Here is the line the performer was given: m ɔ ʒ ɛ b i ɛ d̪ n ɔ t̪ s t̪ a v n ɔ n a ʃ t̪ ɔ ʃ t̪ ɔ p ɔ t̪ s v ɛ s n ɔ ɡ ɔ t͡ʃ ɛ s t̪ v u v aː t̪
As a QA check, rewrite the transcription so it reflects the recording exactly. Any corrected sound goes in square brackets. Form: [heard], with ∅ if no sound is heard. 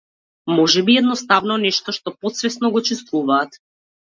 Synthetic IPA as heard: m ɔ ʒ ɛ b i ɛ d̪ n ɔ [∅] s t̪ a v n ɔ n [ɛ] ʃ t̪ ɔ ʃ t̪ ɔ p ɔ t̪ s v ɛ s n ɔ ɡ ɔ t͡ʃ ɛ s t̪ v u v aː t̪